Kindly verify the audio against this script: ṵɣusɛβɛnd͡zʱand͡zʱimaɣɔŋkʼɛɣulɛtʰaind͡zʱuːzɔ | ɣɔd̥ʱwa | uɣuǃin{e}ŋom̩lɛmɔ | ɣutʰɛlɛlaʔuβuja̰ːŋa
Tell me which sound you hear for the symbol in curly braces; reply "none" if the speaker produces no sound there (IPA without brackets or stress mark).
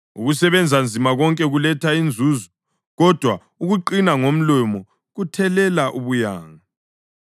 a